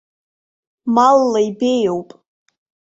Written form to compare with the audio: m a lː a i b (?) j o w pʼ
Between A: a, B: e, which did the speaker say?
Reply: B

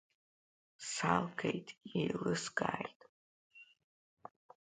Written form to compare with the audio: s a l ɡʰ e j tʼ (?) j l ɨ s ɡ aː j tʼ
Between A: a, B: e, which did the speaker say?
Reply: B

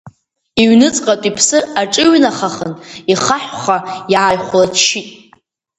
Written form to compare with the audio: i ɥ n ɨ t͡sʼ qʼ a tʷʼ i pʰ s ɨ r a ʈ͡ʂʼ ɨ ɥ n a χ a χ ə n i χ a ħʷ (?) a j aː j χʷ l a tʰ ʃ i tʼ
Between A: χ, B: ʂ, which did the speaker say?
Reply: A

